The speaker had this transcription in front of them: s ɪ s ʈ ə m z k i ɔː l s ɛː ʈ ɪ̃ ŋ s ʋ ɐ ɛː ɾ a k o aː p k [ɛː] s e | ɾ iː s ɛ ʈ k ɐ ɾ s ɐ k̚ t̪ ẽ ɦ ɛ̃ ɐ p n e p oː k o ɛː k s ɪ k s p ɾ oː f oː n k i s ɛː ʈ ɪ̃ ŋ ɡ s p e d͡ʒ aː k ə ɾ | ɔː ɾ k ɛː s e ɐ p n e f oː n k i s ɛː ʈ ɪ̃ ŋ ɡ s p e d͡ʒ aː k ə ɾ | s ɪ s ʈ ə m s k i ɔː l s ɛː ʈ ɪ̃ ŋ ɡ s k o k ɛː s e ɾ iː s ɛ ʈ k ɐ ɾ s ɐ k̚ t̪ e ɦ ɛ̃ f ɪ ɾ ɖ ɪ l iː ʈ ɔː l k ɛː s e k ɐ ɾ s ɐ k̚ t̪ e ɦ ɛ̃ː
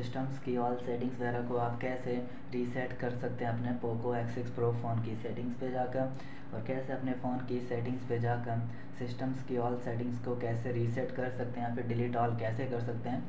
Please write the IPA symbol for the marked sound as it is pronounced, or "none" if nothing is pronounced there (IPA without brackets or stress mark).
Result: ɛː